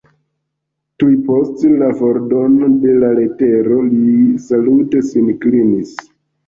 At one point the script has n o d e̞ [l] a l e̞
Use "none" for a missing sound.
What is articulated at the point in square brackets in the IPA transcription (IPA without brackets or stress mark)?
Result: l